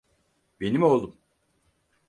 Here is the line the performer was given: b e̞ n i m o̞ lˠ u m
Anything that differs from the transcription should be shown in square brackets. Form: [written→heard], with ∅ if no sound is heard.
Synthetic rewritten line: b e̞ n i m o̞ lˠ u m

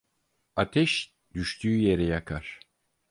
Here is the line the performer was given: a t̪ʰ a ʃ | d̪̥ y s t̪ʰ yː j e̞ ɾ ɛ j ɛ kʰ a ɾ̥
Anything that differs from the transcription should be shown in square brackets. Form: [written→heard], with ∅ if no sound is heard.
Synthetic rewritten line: a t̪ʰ [a→ɛ] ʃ | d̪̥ y [s→ʃ] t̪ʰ yː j e̞ ɾ ɛ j [ɛ→a] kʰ a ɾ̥

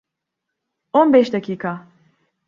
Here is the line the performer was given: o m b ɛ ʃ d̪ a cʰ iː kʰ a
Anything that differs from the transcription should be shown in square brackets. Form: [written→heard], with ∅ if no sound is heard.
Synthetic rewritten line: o [m→n] b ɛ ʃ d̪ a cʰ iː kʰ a

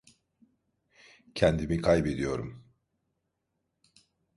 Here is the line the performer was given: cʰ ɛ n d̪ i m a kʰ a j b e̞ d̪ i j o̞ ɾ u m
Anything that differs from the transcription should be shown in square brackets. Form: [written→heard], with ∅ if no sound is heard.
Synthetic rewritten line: cʰ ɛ n d̪ i m [a→i] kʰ a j b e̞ d̪ i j o̞ ɾ u m

